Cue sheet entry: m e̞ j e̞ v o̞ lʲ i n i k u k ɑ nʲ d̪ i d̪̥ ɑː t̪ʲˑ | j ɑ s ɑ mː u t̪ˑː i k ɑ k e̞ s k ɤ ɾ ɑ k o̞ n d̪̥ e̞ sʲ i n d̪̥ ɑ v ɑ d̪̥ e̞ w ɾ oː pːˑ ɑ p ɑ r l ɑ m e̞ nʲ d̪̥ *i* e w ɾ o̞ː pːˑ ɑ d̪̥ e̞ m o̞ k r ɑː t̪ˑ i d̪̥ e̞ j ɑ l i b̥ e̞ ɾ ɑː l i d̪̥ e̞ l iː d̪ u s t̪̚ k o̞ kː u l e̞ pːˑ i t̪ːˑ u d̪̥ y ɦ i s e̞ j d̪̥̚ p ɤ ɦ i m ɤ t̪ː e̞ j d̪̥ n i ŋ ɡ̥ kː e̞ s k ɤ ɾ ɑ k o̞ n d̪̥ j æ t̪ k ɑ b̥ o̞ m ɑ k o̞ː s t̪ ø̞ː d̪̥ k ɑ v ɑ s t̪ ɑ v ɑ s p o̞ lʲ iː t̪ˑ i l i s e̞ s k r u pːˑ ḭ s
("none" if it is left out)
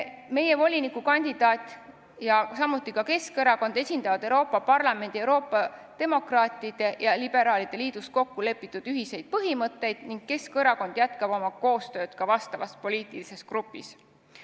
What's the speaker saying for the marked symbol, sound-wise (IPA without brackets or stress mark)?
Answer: i